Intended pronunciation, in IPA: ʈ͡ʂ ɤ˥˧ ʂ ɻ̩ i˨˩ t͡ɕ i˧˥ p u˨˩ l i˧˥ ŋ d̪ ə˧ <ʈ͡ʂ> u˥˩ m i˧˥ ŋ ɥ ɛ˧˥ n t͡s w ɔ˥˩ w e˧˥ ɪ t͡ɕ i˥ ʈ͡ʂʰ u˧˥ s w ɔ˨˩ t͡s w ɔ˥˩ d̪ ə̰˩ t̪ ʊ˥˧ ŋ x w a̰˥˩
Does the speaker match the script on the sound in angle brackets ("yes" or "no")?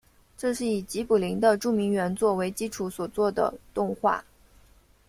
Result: yes